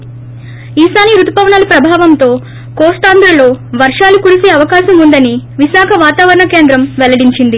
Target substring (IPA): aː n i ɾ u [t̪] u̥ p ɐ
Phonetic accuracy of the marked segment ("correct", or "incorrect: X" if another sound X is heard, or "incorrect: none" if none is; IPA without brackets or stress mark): correct